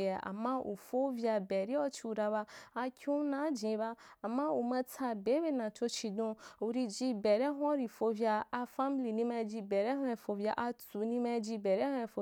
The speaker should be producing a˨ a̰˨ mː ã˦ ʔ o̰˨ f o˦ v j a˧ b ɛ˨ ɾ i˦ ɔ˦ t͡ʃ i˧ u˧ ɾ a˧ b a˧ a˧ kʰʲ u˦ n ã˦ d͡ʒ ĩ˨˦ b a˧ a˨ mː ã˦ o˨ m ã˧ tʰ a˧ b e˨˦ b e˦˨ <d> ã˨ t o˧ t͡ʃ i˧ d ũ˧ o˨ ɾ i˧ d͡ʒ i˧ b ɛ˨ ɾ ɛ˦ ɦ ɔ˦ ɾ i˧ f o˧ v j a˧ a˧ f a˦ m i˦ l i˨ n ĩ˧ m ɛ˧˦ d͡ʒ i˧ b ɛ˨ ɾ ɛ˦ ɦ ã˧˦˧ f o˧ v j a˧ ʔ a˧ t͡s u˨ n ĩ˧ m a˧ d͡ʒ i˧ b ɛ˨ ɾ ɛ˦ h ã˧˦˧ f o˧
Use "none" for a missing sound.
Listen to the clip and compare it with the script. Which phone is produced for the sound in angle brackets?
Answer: n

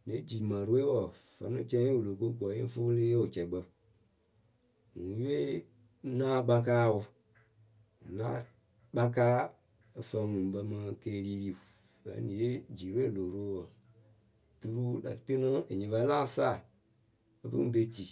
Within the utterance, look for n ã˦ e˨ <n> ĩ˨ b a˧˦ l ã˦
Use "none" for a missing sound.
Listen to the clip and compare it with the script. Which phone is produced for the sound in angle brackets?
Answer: ɲ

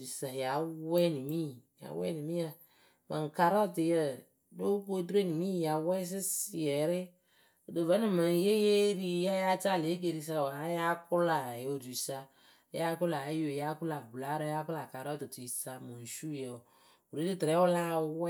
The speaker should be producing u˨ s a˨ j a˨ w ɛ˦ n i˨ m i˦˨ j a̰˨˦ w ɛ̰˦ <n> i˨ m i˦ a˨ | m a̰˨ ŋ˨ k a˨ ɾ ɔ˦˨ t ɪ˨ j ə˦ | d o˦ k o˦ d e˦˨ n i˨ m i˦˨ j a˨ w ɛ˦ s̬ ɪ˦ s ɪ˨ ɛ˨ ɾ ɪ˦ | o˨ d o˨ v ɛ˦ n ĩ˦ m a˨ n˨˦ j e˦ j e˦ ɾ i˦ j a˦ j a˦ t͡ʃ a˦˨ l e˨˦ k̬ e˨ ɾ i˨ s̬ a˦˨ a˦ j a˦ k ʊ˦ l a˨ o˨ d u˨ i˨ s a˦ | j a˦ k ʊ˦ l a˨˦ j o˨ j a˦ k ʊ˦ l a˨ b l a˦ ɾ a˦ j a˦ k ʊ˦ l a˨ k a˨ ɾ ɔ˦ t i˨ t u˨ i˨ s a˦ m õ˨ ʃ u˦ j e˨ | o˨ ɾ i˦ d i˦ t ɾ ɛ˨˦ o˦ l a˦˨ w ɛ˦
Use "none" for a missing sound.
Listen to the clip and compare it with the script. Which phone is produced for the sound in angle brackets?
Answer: n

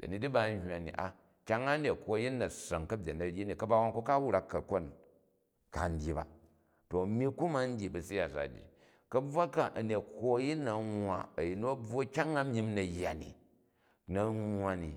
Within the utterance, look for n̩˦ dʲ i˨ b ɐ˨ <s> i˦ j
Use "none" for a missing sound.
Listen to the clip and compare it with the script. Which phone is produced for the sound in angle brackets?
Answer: s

